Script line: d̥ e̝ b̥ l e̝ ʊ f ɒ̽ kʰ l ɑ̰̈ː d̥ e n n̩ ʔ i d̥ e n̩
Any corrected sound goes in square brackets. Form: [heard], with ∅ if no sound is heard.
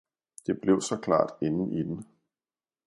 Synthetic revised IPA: d̥ e̝ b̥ l e̝ ʊ [s] ɒ̽ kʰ l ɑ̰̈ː d̥ e n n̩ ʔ i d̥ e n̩